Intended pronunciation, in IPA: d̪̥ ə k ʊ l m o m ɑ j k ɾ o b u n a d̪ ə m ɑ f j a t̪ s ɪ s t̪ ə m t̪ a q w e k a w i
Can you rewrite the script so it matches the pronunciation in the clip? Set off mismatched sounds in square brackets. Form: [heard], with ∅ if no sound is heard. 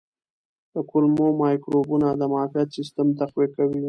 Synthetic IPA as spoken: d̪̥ ə k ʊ l m o m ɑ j k ɾ o b u n a d̪ ə m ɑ f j a t̪ s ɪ s t̪ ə m t̪ a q w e k a w i